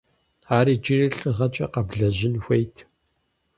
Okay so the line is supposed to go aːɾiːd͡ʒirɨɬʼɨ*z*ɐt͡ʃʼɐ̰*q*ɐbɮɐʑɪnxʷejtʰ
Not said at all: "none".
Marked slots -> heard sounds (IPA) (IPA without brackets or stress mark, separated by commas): ʁ, q